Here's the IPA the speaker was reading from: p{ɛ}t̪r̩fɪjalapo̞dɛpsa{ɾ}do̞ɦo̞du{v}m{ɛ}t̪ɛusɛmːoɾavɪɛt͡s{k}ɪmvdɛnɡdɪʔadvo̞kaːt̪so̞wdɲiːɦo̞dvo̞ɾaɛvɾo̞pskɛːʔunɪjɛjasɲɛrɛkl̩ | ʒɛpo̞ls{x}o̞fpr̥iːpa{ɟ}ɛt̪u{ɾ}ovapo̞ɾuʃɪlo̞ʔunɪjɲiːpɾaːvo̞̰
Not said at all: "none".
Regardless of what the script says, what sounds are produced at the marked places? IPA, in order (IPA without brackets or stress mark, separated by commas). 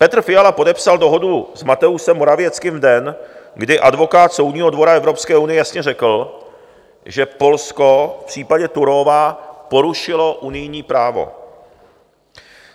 ɛ, l, z, a, k, k, ɟ, ɾ